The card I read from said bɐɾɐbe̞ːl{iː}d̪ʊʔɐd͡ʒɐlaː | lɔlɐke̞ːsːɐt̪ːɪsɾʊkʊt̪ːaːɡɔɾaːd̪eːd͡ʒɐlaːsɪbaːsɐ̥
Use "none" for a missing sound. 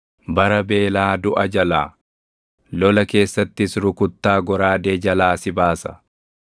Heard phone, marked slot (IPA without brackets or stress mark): aː